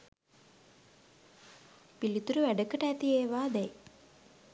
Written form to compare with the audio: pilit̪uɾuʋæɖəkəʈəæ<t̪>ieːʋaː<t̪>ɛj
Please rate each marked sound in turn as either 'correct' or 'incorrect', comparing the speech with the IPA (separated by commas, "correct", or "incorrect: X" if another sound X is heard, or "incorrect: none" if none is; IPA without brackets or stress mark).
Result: correct, incorrect: d̪